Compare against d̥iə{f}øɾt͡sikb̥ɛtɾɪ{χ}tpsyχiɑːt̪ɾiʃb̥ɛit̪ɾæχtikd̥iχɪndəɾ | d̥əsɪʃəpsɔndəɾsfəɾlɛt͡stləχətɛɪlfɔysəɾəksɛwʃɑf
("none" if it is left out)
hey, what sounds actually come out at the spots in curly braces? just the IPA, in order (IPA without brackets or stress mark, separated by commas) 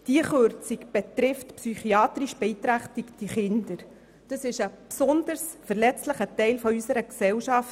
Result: χ, f